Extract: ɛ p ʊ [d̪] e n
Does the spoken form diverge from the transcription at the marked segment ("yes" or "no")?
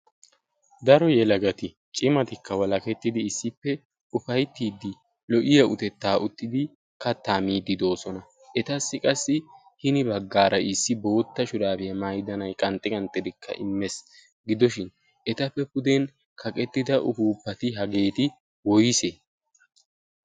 no